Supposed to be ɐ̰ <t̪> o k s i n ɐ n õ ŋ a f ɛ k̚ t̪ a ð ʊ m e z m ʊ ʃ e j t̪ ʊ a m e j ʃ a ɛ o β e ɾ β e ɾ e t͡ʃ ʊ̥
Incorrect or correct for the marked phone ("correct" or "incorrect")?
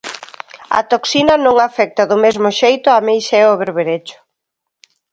correct